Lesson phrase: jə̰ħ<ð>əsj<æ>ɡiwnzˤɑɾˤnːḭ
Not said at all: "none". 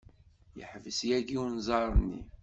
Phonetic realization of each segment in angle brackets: v, æ

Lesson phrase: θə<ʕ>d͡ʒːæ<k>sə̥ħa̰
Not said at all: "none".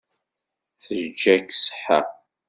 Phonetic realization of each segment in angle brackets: ʒ, k

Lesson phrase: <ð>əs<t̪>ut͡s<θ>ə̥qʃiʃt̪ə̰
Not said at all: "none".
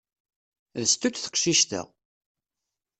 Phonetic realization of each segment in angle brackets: ð, t̪, θ

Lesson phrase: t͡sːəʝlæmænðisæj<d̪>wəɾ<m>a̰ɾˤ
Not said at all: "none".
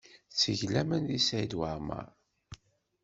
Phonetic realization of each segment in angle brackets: d̪, m

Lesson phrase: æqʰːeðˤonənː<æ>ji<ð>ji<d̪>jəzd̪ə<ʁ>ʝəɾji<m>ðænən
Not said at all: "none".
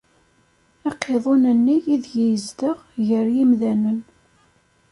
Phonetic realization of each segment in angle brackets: i, ð, none, ʁ, m

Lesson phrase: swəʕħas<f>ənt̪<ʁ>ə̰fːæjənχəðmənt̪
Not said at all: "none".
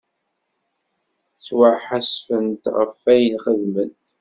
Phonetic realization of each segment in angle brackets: f, ʁ

